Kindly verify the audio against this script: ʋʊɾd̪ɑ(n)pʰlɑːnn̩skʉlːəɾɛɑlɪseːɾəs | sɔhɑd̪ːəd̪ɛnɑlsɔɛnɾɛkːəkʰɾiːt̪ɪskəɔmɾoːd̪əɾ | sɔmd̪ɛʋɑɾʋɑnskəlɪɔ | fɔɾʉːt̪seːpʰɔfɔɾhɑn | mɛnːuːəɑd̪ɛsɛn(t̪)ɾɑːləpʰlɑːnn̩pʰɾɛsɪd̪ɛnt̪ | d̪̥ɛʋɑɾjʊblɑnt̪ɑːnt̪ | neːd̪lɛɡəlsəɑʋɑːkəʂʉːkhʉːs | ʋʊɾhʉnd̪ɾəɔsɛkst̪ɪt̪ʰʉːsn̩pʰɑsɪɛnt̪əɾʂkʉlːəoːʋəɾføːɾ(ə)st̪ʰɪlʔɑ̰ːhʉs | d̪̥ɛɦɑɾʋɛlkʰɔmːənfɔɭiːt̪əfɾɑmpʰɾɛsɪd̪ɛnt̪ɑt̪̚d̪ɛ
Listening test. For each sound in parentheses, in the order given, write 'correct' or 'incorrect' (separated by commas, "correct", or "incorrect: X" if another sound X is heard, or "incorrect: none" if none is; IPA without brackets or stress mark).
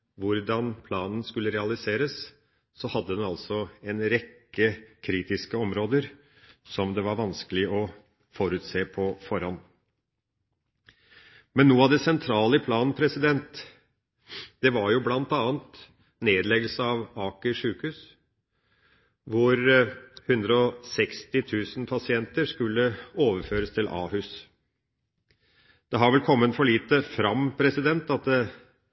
correct, incorrect: t̪ʰ, correct